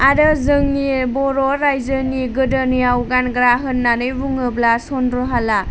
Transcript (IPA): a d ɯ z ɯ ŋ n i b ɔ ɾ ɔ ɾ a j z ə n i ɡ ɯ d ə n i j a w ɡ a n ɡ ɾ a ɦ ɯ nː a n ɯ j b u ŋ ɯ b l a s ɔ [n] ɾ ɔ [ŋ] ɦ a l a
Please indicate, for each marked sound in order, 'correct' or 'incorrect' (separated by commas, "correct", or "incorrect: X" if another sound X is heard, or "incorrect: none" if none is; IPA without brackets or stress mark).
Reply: correct, incorrect: none